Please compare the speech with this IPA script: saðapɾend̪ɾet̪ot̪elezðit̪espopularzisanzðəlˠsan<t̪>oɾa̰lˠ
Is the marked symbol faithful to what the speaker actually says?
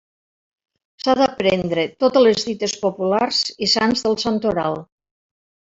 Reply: yes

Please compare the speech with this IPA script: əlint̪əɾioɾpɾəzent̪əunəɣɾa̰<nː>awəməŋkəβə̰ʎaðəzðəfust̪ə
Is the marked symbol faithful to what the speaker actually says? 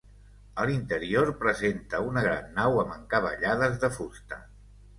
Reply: yes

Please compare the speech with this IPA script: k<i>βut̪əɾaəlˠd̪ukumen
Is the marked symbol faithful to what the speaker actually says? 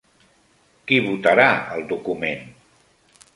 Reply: yes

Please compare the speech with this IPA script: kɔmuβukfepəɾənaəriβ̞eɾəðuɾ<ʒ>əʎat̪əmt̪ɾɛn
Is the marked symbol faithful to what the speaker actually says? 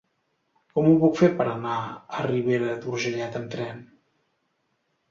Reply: yes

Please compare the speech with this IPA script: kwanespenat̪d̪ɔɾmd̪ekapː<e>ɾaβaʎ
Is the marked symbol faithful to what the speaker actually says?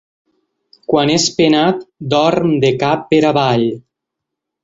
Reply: yes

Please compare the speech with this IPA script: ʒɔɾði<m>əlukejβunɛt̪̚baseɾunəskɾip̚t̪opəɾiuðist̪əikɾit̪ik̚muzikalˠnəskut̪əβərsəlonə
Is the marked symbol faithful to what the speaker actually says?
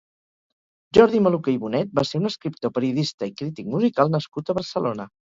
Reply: yes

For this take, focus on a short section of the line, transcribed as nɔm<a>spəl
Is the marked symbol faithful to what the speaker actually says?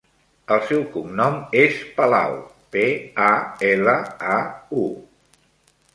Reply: no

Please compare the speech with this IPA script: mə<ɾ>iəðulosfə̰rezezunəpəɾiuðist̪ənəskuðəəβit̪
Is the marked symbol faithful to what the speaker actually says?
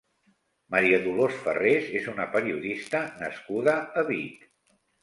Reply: yes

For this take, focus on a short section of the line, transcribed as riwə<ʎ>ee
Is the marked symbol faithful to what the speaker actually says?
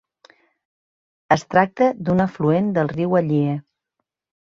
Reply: yes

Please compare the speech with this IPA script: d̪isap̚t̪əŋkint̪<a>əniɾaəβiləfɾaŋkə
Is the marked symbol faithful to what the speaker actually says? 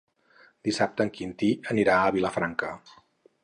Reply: no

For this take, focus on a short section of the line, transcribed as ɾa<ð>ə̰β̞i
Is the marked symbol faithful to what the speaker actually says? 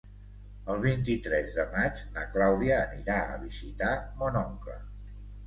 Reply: no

